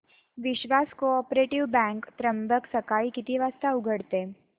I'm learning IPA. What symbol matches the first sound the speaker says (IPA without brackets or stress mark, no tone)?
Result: ʋ